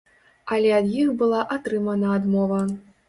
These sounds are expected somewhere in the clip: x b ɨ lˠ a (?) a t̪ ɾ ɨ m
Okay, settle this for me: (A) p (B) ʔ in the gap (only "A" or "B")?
B